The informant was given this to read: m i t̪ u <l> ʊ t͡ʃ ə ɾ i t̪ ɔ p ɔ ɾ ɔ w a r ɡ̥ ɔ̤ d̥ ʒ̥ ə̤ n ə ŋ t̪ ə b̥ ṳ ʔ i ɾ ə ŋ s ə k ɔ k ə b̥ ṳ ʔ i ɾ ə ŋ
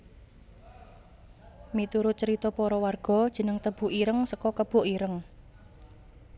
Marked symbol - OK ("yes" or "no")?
no